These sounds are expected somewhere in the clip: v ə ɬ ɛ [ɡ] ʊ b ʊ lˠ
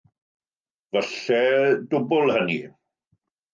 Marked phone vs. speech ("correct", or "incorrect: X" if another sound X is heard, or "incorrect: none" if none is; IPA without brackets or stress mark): incorrect: d